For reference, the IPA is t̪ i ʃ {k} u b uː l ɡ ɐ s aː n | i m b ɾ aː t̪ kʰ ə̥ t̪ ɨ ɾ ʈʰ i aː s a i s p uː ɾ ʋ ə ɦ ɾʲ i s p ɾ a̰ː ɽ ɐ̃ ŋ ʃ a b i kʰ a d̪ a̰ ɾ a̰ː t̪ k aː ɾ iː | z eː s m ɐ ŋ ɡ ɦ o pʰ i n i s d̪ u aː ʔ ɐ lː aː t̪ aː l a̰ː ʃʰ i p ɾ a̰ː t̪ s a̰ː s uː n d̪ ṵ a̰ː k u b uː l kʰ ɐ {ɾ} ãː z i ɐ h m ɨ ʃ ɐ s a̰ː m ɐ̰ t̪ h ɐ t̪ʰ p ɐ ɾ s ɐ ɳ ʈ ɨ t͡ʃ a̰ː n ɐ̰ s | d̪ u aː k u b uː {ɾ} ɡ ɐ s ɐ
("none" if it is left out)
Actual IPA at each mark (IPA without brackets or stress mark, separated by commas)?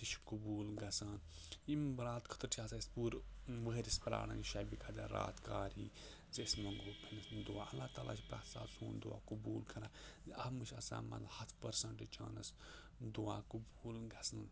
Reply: k, ɾ, l